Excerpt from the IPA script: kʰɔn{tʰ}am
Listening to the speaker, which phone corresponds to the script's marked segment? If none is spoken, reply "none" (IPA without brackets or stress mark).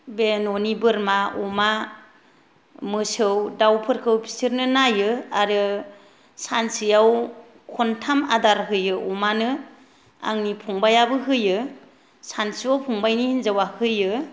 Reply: tʰ